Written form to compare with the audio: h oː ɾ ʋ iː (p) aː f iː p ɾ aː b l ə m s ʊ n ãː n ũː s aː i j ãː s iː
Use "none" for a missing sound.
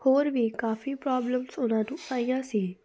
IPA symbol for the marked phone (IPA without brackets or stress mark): k